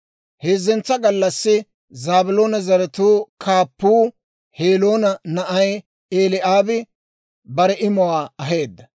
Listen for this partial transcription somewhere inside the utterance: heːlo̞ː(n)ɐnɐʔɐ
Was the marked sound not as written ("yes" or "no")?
no